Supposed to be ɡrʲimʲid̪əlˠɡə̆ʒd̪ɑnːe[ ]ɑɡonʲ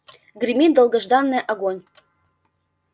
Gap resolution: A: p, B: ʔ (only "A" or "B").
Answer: B